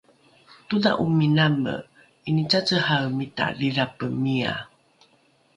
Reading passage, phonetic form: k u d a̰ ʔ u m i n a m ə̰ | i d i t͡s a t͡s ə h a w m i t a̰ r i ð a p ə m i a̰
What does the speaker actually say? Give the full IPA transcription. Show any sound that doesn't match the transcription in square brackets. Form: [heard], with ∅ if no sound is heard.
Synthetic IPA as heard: [t] u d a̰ ʔ u m i n a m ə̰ | i [n] i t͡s a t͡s ə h a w m i t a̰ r i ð a p ə m i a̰